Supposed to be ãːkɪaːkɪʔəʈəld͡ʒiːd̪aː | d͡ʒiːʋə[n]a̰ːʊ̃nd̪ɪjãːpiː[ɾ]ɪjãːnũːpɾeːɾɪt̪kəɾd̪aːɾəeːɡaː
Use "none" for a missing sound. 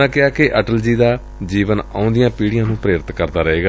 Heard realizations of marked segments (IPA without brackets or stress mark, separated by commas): n, ɽ